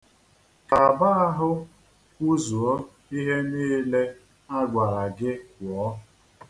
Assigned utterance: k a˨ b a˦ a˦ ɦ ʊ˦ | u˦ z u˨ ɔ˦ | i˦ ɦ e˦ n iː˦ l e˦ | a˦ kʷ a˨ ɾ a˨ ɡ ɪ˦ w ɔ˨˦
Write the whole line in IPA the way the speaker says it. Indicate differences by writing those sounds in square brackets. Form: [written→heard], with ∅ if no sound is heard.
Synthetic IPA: k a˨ b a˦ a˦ ɦ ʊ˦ | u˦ z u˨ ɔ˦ | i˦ ɦ e˦ n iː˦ l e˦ | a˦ [kʷ→ɡʷ] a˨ ɾ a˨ ɡ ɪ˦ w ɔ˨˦